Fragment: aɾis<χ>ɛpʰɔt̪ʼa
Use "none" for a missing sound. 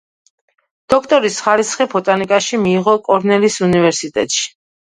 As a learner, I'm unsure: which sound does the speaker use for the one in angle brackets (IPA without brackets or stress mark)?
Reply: χ